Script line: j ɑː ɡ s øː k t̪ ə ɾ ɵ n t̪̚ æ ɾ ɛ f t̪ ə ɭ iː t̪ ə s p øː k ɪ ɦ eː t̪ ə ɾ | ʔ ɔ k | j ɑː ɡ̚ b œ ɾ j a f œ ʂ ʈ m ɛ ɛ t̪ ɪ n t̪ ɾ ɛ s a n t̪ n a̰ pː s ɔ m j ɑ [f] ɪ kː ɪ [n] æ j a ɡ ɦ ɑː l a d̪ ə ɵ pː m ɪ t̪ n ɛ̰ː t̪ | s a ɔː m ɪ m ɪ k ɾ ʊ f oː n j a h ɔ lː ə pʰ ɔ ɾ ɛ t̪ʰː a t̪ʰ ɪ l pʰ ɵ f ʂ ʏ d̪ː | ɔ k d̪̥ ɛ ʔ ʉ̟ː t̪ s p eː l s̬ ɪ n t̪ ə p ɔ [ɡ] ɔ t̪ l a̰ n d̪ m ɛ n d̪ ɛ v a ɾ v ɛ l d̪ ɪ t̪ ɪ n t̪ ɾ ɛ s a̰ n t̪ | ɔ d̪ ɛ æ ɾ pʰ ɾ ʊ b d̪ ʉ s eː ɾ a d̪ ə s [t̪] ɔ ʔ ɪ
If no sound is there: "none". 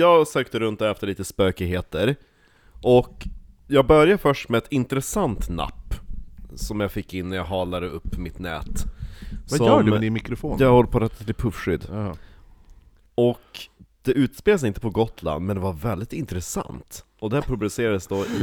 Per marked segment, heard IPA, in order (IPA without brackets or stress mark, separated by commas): f, nː, ɡ, d̪